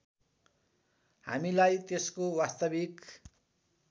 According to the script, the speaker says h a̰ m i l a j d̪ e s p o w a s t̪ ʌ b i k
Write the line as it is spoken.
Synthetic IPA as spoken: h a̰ m i l a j t̪ e s k o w a s t̪ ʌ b i k